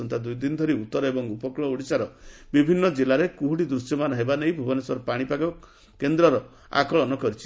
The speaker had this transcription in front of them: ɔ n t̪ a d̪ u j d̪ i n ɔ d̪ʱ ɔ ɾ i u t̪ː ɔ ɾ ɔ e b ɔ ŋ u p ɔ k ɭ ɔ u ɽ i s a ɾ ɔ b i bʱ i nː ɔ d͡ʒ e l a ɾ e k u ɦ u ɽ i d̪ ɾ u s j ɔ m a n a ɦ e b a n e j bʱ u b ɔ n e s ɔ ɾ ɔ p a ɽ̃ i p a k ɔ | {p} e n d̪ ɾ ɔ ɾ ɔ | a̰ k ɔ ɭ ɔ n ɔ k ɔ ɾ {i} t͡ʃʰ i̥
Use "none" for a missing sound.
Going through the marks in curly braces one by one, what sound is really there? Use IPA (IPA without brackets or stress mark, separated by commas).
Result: k, i